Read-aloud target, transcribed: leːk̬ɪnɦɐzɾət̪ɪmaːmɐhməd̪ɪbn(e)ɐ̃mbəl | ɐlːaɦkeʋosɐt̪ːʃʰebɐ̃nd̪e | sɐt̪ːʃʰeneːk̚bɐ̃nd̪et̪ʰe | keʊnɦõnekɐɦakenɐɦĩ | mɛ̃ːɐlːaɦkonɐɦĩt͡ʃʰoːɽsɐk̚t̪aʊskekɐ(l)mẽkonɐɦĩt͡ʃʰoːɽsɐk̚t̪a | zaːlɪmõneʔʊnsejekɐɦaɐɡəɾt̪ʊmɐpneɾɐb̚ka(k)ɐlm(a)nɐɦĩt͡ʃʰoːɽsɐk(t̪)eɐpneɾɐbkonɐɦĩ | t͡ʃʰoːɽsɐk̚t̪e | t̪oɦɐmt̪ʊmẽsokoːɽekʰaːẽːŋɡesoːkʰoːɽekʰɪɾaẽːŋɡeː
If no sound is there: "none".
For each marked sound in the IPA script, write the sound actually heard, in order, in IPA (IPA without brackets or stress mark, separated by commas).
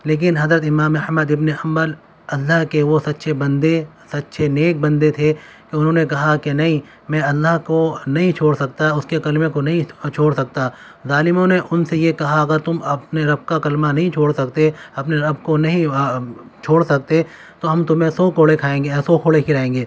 e, l, k, a, t̪